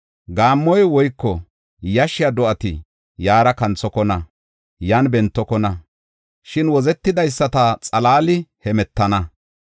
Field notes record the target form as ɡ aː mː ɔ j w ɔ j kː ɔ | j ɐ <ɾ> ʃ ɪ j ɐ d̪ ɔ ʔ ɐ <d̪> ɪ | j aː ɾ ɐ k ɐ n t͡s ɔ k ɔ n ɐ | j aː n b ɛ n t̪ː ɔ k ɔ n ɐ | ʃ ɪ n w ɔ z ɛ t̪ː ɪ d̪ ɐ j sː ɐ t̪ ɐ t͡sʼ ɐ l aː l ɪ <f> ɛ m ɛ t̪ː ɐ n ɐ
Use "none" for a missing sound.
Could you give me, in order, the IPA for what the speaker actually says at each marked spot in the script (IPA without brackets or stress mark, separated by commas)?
none, t̪, h